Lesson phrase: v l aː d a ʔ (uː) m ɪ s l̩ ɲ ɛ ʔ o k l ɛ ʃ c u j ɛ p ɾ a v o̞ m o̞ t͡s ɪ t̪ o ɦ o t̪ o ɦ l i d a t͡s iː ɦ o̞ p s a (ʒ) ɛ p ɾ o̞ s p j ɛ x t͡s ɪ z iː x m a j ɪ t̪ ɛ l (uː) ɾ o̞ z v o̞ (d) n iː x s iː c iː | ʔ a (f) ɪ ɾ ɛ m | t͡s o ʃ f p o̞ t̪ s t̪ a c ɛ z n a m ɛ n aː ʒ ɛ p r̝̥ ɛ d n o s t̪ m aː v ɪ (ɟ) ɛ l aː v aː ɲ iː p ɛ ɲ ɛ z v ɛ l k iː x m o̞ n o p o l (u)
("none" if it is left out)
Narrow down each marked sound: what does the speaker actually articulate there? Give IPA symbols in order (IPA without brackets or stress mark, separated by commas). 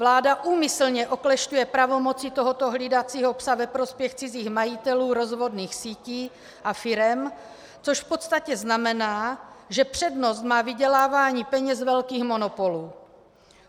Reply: uː, v, uː, d, f, ɟ, uː